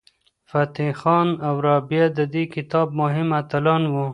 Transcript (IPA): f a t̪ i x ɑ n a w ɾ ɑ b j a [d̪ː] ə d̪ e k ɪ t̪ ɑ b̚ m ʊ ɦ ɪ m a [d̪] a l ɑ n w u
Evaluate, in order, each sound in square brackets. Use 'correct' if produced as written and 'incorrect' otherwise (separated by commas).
incorrect, incorrect